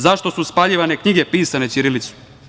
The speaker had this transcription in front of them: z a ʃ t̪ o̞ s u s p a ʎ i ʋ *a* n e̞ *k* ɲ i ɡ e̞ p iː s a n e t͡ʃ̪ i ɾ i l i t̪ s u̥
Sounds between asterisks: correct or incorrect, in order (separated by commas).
correct, correct